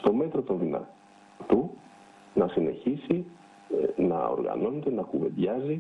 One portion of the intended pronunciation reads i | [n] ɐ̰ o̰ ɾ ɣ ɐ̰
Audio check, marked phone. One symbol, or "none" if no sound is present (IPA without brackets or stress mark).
n